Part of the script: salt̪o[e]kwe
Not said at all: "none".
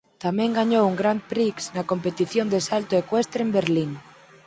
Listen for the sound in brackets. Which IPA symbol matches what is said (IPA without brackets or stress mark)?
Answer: e